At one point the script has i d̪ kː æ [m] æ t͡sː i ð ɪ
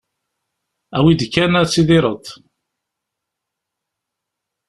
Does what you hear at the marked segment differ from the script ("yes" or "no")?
yes